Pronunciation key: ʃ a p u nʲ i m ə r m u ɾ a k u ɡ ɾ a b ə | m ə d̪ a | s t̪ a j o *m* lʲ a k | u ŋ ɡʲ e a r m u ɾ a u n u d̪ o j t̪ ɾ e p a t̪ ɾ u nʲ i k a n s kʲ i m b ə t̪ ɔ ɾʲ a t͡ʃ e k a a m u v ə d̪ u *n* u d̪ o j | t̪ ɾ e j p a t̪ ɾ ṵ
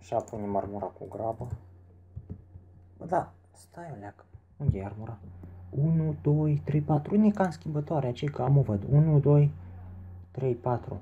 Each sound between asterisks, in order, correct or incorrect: incorrect: none, correct

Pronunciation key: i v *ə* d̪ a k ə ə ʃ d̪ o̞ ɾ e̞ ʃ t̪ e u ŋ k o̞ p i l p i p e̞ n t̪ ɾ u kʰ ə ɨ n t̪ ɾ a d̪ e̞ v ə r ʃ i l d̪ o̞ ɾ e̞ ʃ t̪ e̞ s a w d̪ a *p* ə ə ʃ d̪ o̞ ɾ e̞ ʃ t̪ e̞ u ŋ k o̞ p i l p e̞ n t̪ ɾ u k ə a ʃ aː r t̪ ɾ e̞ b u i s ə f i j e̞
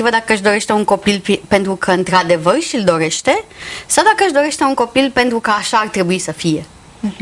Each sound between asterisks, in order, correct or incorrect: correct, incorrect: k

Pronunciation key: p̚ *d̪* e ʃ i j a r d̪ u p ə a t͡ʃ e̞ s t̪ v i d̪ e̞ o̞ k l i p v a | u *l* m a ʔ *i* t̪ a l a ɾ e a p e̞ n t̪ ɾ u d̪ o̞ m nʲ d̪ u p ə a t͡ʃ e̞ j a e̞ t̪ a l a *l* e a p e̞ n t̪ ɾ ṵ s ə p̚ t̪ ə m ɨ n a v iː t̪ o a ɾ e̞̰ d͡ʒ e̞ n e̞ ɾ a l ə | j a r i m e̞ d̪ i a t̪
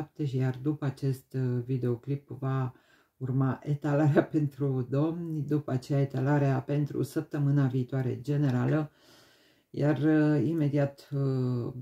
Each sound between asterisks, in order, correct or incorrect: incorrect: t̪, incorrect: r, incorrect: e, incorrect: ɾ

